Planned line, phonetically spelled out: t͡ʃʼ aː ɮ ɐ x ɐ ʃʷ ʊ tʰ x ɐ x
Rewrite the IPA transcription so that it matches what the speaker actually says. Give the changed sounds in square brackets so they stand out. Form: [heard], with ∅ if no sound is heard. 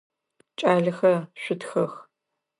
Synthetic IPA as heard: t͡ʃʼ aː ɮ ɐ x ɐ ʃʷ ʊ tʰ x ɐ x